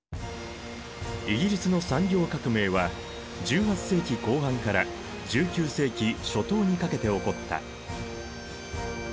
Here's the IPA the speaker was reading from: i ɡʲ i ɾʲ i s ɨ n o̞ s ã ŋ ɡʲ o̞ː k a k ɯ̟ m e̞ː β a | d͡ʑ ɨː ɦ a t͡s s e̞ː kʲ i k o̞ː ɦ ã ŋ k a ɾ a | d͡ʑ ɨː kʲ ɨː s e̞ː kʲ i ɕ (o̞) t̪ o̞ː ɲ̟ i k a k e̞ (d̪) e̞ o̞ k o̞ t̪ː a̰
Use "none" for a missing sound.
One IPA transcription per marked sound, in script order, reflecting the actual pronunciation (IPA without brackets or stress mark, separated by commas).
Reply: o̞, t̪